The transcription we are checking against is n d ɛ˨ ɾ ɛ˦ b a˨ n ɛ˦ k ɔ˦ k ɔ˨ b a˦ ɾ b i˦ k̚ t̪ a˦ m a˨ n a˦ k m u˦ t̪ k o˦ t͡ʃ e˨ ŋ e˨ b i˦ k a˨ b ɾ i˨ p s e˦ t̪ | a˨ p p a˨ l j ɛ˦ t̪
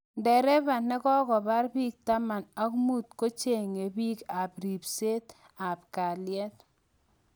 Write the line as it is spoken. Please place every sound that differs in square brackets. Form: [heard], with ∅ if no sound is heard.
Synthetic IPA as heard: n d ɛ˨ ɾ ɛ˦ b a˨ n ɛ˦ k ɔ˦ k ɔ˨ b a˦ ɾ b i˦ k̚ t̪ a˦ m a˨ n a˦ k m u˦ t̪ k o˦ t͡ʃ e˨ ŋ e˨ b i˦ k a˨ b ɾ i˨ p s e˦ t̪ | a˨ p [k] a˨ l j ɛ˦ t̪